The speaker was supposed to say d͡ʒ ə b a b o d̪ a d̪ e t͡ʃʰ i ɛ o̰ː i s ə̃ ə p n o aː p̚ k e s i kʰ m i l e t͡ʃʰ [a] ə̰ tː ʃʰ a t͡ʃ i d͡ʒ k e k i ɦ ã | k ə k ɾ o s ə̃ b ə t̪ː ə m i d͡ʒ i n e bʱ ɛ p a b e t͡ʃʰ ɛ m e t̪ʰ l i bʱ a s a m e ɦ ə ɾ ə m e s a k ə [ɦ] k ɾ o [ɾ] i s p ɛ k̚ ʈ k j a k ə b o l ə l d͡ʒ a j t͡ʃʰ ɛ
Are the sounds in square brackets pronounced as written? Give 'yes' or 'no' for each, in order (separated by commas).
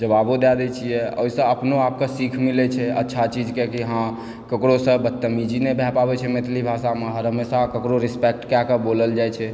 no, no, yes